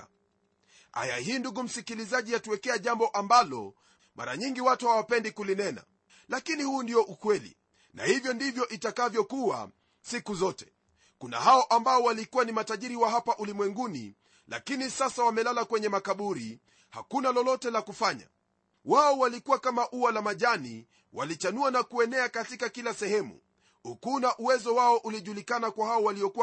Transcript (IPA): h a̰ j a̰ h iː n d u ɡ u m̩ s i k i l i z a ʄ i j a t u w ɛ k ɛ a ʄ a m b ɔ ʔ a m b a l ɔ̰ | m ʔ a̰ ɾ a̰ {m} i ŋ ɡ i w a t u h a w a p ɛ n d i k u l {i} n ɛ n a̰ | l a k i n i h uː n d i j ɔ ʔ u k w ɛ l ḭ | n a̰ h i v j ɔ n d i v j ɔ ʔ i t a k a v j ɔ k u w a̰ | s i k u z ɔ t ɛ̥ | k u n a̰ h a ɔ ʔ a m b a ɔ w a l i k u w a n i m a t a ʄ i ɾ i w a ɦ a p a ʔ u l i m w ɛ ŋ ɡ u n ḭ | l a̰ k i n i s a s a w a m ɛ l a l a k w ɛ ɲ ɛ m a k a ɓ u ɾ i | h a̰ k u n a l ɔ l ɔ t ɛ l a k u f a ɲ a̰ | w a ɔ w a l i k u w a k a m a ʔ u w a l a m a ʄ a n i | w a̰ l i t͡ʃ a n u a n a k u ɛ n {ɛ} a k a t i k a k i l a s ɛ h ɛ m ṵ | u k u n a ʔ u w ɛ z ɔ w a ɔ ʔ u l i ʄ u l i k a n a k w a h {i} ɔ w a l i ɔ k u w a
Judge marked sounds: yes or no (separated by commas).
no, yes, yes, no